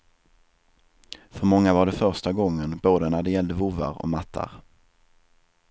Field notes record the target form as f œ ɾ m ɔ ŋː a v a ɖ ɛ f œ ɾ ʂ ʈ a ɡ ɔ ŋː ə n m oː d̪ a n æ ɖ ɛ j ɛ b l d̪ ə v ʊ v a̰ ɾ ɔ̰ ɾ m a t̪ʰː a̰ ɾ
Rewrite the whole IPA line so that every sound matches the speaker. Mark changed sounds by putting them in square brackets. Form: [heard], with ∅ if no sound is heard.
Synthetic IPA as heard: f œ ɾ m ɔ ŋː a v a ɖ ɛ f œ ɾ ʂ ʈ a ɡ ɔ ŋː ə n [b] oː d̪ [ə] n æ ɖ ɛ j ɛ [∅] l d̪ ə v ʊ v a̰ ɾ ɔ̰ [∅] m a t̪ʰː a̰ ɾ